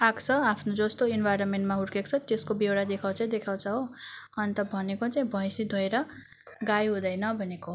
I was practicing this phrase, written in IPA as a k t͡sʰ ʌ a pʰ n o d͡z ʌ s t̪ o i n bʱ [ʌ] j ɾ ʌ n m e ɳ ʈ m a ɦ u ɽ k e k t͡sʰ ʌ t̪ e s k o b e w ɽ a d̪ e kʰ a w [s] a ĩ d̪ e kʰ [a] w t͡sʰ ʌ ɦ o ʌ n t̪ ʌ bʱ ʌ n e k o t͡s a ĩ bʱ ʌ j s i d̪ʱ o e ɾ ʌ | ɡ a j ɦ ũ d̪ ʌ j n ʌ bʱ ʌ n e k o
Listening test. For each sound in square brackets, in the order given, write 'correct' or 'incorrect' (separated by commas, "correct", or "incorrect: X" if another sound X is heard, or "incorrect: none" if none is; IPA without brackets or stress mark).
incorrect: a, incorrect: t͡s, correct